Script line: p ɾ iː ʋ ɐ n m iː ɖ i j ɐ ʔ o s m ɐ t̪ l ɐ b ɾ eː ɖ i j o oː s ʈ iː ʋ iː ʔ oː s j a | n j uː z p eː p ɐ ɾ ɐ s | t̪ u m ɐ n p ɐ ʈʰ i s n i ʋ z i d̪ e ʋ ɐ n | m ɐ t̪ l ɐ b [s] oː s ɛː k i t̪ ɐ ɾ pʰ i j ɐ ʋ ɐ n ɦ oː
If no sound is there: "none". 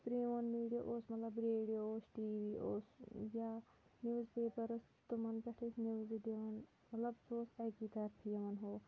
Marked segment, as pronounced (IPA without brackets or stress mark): s